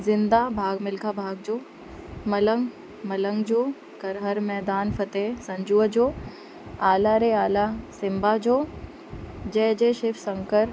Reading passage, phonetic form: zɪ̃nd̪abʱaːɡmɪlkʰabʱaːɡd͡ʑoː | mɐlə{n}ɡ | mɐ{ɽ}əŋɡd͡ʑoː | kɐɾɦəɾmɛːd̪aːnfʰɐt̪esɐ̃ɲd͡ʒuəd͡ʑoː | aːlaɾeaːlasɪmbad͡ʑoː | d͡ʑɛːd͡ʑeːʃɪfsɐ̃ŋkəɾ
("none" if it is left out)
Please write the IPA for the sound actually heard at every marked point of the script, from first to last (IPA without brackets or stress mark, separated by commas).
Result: ŋ, l